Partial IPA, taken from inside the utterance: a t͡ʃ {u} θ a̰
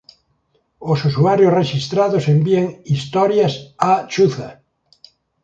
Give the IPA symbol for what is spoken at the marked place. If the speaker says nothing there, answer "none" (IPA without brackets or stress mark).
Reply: u